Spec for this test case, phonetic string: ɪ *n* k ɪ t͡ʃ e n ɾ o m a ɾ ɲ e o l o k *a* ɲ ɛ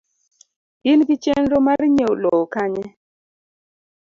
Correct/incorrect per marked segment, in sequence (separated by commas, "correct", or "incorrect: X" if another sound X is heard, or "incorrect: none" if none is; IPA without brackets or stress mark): correct, correct